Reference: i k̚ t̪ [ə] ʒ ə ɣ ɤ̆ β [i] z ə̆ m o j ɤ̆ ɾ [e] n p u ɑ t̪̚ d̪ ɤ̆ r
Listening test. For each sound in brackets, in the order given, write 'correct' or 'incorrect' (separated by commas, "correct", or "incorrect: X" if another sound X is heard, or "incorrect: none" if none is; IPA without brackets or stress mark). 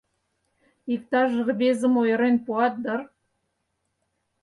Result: incorrect: ɑ, incorrect: e, correct